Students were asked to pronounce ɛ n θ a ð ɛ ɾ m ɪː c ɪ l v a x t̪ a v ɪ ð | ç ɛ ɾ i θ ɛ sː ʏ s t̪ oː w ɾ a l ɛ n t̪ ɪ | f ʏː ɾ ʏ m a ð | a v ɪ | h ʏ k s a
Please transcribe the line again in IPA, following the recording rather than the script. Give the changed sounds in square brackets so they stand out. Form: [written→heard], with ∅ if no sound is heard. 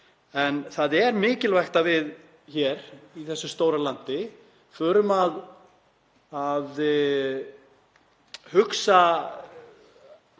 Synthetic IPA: ɛ n θ a ð ɛ ɾ m ɪː c ɪ l v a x t̪ a v ɪ ð | ç ɛ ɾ i θ ɛ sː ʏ s t̪ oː w ɾ a l [ɛ→a] n t̪ ɪ | f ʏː ɾ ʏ m a ð | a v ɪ | h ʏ k s a

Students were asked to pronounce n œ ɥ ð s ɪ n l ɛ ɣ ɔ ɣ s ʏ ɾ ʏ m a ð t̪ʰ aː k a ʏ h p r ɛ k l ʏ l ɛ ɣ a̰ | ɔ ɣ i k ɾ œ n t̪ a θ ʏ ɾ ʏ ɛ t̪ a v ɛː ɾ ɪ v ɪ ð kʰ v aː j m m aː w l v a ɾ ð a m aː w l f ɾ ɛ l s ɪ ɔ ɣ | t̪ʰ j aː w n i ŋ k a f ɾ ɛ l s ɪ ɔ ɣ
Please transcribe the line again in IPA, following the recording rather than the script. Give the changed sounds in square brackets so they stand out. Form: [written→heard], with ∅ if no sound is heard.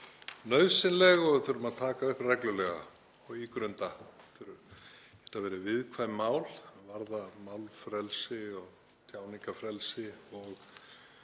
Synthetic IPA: n œ ɥ ð s ɪ n l ɛ ɣ ɔ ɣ [s→θ] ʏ ɾ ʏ m a ð t̪ʰ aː k a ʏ h p r ɛ k l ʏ l ɛ ɣ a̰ | ɔ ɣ i k ɾ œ n t̪ a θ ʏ ɾ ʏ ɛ t̪ a v ɛː ɾ ɪ v ɪ ð kʰ v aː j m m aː w l v a ɾ ð a m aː w l f ɾ ɛ l s ɪ ɔ ɣ | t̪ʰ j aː w n i ŋ k a f ɾ ɛ l s ɪ ɔ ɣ

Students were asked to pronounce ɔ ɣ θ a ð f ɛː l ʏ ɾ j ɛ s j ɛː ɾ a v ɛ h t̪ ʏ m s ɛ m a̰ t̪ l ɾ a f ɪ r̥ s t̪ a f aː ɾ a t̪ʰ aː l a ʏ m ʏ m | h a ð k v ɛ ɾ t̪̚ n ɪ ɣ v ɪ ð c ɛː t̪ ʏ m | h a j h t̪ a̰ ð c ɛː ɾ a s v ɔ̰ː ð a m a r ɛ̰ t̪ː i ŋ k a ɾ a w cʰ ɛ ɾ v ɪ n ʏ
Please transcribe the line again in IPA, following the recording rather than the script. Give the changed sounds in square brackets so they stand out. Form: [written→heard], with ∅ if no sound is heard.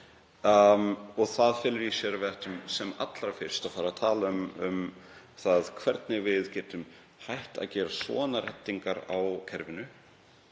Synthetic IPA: ɔ ɣ θ a ð f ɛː l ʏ ɾ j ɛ s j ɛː ɾ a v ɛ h t̪ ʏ m s ɛ m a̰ t̪ l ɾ a f ɪ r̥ s t̪ a f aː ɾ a t̪ʰ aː l a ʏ m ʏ m | [h→θ] a ð [k→kʰ] v ɛ ɾ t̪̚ n ɪ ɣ v ɪ ð c ɛː t̪ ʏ m | h a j h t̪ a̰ ð c ɛː ɾ a s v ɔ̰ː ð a [m→n] a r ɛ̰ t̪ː i ŋ k a ɾ a w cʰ ɛ ɾ v ɪ n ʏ

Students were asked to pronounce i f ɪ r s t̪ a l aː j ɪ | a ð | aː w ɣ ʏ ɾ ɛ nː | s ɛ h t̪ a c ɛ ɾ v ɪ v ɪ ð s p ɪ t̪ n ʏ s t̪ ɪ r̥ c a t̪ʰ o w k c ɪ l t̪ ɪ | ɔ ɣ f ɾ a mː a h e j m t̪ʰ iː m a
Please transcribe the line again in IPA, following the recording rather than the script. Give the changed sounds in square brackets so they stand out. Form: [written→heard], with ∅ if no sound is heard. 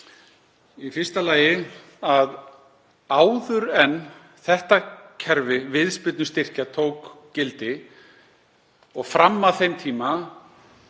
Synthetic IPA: i f ɪ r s t̪ a l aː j ɪ | a ð | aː w [ɣ→ð] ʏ ɾ ɛ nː | [s→θ] ɛ h t̪ a [c→cʰ] ɛ ɾ v ɪ v ɪ ð s p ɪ t̪ n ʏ s t̪ ɪ r̥ c a t̪ʰ o w k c ɪ l t̪ ɪ | ɔ ɣ f ɾ a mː a [h→θ] e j m t̪ʰ iː m a

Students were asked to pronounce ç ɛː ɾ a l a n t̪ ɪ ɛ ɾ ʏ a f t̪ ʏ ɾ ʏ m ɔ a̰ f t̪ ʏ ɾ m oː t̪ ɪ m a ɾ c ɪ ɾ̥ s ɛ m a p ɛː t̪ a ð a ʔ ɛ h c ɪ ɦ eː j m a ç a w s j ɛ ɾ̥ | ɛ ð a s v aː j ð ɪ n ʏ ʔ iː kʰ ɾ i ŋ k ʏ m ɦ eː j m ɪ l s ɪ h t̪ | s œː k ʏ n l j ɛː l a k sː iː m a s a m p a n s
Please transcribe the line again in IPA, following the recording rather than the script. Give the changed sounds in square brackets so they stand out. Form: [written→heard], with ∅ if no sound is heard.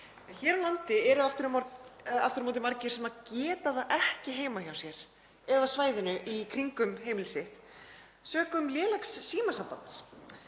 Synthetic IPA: ç ɛː ɾ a l a n t̪ ɪ ɛ ɾ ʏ a f t̪ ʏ ɾ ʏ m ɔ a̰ f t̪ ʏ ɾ m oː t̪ ɪ m a ɾ c ɪ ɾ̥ s ɛ m a [p→c] ɛː t̪ a ð a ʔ ɛ h c ɪ ɦ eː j m a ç a w s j ɛ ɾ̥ | ɛ ð a s v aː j ð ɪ n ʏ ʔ [iː→i] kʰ ɾ i ŋ k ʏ m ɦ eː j m ɪ l s ɪ h t̪ | s œː k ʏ [n→m] l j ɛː l a k sː iː m a s a m p a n s

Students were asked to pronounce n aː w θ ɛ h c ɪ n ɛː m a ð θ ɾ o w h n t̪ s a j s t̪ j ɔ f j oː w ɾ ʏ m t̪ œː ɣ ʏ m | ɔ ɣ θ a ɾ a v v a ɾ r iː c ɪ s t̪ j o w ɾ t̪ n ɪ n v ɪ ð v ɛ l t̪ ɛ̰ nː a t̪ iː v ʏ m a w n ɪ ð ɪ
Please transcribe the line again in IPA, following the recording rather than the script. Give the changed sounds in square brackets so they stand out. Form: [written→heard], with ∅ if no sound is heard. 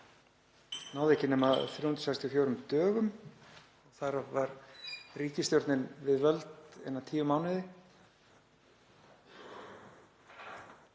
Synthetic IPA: n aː w [θ→ð] ɛ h c ɪ n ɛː m a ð θ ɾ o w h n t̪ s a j s t̪ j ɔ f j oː w ɾ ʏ m t̪ œː ɣ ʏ m | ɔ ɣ θ a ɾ a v v a ɾ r iː c ɪ s t̪ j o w ɾ t̪ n ɪ n v ɪ ð v [ɛ→œ] l t̪ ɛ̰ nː a [t̪→t̪ʰ] iː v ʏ m a w n ɪ ð ɪ

